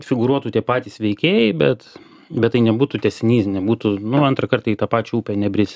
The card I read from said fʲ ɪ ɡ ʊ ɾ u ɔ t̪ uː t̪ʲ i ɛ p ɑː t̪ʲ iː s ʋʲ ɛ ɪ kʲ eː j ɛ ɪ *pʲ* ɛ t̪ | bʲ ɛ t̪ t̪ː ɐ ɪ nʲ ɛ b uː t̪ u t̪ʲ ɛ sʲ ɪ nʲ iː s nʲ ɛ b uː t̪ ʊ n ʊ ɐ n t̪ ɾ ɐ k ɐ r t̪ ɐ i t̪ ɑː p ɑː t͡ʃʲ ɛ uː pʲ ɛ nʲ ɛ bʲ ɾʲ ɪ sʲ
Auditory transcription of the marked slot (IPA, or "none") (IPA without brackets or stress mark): bʲ